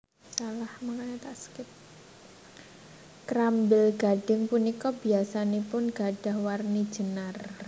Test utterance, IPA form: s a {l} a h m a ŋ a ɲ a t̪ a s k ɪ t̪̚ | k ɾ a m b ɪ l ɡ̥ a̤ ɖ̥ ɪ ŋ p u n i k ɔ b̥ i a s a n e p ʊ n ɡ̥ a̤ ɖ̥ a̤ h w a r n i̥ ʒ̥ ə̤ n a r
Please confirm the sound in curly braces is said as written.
yes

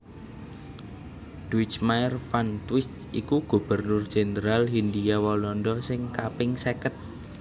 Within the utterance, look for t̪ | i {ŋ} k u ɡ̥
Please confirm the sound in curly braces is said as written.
no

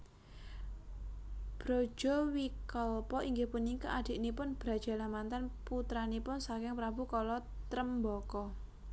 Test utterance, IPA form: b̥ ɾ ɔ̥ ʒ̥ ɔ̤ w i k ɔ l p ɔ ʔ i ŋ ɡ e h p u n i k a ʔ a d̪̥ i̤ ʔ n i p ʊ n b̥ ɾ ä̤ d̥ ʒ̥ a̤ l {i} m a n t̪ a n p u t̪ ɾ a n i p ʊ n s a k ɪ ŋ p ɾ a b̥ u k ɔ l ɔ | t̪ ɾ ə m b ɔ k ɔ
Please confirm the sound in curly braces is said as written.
no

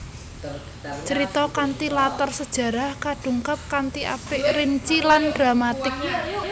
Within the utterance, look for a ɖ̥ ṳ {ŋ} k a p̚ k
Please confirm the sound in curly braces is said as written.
yes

